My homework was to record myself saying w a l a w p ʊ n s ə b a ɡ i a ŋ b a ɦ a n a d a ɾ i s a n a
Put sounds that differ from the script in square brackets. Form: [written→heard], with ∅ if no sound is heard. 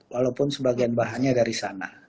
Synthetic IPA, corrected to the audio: w a l a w p ʊ n s ə b a ɡ i a [ŋ→n] b a ɦ a [n→ɲ] a d a ɾ i s a n a